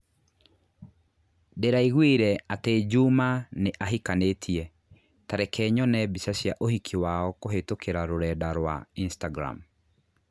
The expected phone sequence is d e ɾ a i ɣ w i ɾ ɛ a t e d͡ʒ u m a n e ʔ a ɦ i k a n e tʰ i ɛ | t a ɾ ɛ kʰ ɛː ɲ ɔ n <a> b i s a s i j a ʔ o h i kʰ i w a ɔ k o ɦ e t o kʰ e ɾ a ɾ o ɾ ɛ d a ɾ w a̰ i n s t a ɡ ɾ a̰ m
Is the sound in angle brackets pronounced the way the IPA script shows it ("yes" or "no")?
no